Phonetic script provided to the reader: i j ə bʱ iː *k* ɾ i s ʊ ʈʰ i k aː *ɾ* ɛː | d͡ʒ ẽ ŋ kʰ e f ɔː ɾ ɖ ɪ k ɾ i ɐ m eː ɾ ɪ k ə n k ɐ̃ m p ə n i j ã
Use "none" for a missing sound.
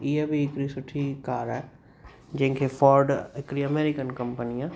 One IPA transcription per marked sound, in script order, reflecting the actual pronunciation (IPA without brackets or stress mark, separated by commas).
k, ɾ